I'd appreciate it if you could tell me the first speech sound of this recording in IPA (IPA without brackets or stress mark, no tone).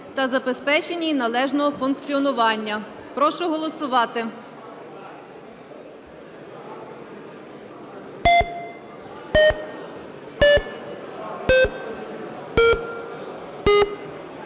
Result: t̪